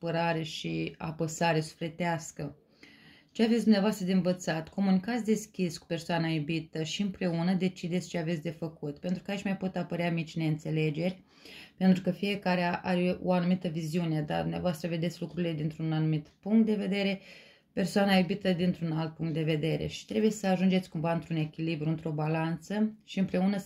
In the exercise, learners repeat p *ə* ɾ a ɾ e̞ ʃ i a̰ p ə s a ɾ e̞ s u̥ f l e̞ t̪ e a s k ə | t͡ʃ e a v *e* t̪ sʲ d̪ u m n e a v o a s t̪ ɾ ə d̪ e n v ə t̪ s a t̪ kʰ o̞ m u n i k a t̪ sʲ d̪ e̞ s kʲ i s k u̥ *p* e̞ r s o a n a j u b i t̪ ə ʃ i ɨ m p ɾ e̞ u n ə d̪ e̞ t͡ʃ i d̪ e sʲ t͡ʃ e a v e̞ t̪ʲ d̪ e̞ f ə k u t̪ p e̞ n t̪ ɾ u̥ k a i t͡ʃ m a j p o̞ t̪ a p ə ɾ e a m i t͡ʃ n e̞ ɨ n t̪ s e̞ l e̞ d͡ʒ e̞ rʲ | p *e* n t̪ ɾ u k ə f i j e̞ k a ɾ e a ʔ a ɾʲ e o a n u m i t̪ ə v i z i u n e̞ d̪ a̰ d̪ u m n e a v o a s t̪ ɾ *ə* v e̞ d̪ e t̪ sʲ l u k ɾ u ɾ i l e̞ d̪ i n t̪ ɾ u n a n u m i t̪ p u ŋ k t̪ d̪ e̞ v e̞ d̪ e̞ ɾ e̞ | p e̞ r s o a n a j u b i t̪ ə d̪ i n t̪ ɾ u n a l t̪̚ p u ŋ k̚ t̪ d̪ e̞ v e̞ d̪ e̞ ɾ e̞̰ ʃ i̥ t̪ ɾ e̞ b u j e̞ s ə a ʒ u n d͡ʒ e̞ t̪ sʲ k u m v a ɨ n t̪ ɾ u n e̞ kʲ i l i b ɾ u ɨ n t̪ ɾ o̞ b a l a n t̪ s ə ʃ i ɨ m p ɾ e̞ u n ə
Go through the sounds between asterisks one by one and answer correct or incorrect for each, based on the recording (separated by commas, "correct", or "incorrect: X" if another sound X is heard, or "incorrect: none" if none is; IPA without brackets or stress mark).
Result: correct, correct, correct, correct, correct